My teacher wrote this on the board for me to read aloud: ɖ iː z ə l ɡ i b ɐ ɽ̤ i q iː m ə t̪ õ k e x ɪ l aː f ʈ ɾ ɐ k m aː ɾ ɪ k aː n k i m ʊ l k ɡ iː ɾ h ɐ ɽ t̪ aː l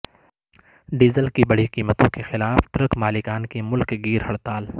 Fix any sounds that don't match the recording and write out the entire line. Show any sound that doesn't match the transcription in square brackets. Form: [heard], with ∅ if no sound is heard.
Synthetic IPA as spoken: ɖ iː z ə l [k] i b ɐ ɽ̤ i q iː m ə t̪ õ k e x ɪ l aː f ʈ ɾ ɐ k m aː [l] ɪ k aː n k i m ʊ l k ɡ iː ɾ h ɐ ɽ t̪ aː l